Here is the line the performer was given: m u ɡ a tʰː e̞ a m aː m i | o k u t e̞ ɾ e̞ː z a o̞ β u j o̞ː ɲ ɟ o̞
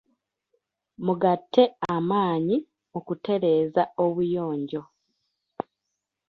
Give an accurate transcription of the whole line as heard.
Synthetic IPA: m u ɡ a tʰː e̞ a m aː ɲ i | o k u t e̞ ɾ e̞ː z a o̞ β u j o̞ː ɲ ɟ o̞

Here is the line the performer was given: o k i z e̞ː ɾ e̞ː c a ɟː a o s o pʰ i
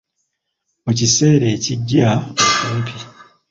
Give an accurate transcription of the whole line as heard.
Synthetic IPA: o c i s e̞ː ɾ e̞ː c i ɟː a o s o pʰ i

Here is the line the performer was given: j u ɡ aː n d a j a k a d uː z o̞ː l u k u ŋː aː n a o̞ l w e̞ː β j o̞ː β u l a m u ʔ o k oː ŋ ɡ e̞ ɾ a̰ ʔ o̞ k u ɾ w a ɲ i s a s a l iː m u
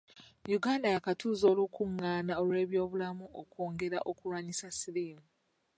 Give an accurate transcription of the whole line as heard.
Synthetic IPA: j u ɡ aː n d a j a k a t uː z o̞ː l u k u ŋː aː n a o̞ l w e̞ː β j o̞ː β u l a m u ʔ o k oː ŋ ɡ e̞ ɾ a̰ ʔ o̞ k u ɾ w a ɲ i s a s i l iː m u

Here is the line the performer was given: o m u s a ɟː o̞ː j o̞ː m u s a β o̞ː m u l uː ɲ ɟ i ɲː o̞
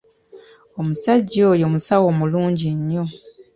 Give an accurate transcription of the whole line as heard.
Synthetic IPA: o m u s a ɟː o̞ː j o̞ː m u s a w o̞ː m u l uː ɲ ɟ i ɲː o̞

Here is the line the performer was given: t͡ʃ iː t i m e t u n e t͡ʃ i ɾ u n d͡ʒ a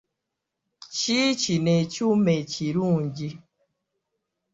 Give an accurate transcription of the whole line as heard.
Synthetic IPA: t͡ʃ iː t͡ʃ i n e t͡ʃ u m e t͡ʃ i ɾ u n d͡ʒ i

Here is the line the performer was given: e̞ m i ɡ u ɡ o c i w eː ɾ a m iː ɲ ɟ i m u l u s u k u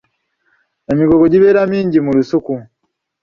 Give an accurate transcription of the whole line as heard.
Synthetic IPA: e̞ m i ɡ o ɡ o ɟ i β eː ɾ a m iː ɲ ɟ i m u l u s u k u

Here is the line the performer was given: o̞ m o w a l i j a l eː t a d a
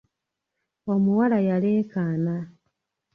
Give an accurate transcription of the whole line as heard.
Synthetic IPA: o̞ m u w a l a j a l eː k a n a

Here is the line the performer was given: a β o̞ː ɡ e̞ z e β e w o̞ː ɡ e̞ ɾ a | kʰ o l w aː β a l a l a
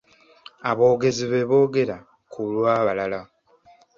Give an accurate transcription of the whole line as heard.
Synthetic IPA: a β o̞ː ɡ e̞ z i β e β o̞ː ɡ e̞ ɾ a | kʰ u l w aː β a l a l a

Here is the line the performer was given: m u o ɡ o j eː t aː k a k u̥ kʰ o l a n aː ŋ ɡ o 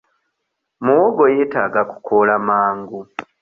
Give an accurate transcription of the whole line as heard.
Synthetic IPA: m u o ɡ o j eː t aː ɡ a k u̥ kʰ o l a m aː ŋ ɡ u

